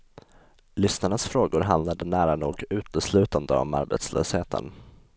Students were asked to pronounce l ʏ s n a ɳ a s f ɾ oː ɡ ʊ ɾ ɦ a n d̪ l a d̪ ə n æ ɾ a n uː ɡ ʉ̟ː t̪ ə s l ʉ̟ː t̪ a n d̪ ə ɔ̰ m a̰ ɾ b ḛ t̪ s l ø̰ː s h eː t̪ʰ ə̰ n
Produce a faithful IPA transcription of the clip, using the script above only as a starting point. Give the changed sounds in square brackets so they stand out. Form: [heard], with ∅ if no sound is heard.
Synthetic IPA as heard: l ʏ s n a ɳ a s f ɾ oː ɡ ʊ ɾ ɦ a n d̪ l a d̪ ə n [æː] ɾ a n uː ɡ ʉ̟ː t̪ ə s l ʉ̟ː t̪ a n d̪ ə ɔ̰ m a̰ ɾ b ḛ t̪ s l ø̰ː s h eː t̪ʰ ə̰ n